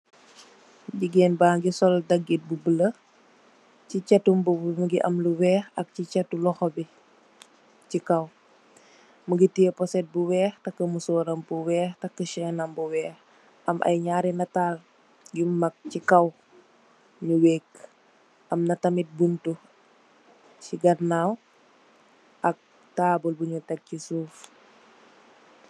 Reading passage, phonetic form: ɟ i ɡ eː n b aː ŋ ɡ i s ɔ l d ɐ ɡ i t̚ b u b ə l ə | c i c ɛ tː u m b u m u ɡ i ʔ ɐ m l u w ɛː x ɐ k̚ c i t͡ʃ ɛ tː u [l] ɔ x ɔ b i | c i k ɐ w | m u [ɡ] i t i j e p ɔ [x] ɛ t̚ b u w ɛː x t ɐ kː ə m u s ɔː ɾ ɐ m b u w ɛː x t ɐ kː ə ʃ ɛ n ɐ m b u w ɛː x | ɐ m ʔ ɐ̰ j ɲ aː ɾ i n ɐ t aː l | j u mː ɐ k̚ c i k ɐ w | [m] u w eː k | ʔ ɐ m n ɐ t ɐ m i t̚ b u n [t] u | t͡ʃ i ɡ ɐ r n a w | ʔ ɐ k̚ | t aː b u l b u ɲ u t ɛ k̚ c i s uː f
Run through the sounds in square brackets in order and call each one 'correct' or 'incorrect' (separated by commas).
correct, correct, incorrect, incorrect, correct